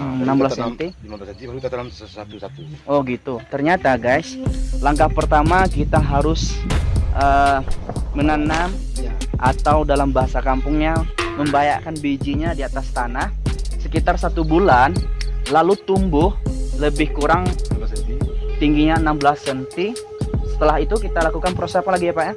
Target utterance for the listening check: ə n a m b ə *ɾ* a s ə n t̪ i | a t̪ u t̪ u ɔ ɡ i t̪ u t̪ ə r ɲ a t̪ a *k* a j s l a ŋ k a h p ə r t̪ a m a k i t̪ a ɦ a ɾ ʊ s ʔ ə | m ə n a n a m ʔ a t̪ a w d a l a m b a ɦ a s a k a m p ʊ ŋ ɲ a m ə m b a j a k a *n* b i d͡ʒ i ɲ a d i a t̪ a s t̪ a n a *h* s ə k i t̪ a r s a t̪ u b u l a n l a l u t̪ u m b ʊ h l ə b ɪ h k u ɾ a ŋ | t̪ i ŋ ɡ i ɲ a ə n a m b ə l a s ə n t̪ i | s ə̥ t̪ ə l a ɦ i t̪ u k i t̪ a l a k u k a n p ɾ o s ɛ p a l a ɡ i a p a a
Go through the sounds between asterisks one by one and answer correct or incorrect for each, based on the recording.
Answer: incorrect: l, incorrect: ɡ, correct, correct

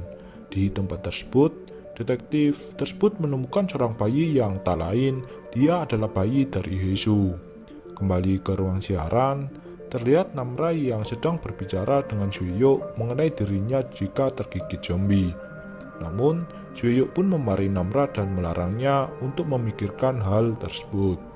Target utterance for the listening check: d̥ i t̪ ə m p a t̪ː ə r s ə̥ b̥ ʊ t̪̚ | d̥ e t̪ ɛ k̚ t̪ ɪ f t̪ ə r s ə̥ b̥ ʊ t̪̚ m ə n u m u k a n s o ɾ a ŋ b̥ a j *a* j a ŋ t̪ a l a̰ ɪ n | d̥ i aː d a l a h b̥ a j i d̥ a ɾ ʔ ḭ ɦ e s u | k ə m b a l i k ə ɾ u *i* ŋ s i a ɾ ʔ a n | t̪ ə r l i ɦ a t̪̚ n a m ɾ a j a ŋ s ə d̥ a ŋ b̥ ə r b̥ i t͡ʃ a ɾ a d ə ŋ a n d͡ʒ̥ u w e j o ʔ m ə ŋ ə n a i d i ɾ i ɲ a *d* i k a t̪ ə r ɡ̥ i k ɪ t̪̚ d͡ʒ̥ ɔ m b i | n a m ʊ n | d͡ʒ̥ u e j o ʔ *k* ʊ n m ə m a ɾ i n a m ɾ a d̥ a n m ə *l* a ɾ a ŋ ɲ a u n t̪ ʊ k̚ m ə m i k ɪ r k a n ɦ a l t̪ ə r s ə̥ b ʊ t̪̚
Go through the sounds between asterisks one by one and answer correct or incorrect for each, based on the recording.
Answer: incorrect: i, incorrect: a, incorrect: d͡ʒ, incorrect: p, correct

